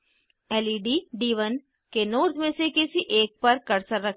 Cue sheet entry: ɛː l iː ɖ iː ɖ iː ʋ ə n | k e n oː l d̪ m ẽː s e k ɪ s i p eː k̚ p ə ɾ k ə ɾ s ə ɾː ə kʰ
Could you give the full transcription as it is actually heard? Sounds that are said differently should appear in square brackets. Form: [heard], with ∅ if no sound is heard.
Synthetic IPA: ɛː l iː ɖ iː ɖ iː ʋ ə n | k e n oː [ɾ] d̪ m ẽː s e k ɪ s i [ʔ] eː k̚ p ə ɾ k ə ɾ s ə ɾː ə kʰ

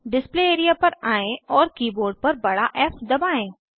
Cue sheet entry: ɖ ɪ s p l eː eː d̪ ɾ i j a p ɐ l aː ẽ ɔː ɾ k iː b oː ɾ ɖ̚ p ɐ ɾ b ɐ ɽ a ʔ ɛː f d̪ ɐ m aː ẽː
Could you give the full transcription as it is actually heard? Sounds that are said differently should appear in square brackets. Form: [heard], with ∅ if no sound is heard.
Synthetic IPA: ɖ ɪ s p l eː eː [∅] ɾ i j a p ɐ [ɾ] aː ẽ ɔː ɾ k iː b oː ɾ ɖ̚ p ɐ ɾ b ɐ ɽ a ʔ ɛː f d̪ ɐ [b] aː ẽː

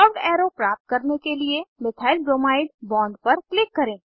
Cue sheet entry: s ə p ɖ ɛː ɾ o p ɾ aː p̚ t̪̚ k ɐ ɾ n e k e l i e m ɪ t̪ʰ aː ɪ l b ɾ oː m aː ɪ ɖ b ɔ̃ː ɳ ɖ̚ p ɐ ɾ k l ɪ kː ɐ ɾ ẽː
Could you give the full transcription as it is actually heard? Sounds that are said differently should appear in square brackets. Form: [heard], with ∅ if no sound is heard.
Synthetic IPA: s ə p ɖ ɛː ɾ o p ɾ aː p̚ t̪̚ k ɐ ɾ n e k e l i e m ɪ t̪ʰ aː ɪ l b ɾ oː m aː ɪ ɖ b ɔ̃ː ɳ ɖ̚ p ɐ ɾ k l ɪ kː ɐ ɾ ẽː

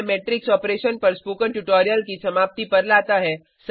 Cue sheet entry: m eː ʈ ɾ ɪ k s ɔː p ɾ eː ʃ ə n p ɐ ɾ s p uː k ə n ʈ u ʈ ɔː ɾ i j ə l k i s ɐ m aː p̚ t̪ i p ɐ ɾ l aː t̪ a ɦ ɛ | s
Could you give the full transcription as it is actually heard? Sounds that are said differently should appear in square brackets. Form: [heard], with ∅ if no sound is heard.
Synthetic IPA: m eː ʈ ɾ ɪ k s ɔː p ɾ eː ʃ ə n p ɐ ɾ s p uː k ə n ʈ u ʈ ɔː ɾ i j ə l k i s ɐ m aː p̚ t̪ i p ɐ ɾ l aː t̪ a ɦ ɛ | s

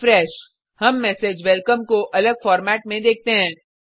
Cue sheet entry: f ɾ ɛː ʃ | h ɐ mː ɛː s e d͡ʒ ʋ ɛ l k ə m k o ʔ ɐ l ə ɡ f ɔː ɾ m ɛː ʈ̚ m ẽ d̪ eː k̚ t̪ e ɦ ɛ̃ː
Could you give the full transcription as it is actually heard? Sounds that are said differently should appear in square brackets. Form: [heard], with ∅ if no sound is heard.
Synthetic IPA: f ɾ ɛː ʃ | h ɐ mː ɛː s e d͡ʒ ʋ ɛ l k ə m k o ʔ ɐ l ə ɡ f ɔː ɾ m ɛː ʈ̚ m ẽ d̪ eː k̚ t̪ e ɦ ɛ̃ː

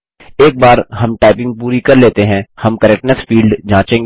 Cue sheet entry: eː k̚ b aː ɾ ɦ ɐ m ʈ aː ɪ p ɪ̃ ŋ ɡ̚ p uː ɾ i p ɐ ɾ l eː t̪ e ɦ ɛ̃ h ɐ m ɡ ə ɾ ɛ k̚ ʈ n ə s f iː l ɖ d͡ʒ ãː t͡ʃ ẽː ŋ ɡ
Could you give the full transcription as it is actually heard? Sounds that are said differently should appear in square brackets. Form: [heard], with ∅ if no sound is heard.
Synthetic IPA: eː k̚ b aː ɾ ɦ ɐ m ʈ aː ɪ p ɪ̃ ŋ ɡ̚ p uː ɾ i [k] ɐ ɾ l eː t̪ e ɦ ɛ̃ h ɐ m [k] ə ɾ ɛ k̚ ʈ n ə s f iː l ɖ d͡ʒ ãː t͡ʃ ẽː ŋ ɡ

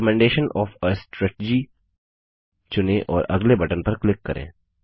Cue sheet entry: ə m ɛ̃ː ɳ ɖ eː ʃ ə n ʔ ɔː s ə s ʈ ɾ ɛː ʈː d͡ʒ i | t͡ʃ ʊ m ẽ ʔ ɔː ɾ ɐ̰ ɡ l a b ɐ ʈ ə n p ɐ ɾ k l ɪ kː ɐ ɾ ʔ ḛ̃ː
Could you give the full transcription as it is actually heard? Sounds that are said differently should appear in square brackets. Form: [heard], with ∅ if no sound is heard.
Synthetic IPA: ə m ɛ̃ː ɳ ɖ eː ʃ ə n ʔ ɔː [f] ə s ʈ ɾ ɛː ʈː d͡ʒ i | t͡ʃ ʊ [n] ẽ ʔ ɔː ɾ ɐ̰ ɡ l [e] b ɐ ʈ ə n p ɐ ɾ k l ɪ kː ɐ ɾ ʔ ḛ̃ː

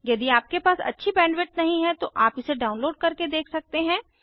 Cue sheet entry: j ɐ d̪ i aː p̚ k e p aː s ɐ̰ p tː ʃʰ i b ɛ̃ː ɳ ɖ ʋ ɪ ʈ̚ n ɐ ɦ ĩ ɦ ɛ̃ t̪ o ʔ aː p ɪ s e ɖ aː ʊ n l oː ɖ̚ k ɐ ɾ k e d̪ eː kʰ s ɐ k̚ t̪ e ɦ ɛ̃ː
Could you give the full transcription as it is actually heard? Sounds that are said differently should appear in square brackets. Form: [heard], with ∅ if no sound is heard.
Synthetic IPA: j ɐ d̪ i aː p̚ k e p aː s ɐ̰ [∅] tː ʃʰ i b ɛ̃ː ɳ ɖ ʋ ɪ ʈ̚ n ɐ ɦ ĩ ɦ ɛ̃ t̪ o ʔ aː p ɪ s e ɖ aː ʊ n l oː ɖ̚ k ɐ ɾ k e d̪ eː kʰ s ɐ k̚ t̪ e ɦ ɛ̃ː

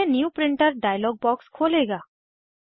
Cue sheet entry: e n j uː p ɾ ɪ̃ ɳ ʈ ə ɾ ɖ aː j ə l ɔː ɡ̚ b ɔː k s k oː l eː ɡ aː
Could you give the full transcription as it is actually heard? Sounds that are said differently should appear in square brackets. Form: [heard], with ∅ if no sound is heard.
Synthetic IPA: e n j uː p ɾ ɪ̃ ɳ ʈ ə ɾ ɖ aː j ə l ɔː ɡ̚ b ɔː k s [kʰ] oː l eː ɡ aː

